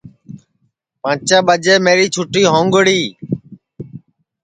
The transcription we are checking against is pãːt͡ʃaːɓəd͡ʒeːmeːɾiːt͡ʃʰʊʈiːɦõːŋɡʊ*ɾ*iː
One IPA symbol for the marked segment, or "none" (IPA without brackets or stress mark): ɽ